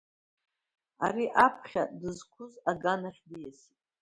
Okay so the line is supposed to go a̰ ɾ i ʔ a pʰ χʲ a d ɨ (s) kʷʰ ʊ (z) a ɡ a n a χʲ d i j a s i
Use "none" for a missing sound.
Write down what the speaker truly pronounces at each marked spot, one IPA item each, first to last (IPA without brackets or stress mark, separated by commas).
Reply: z, z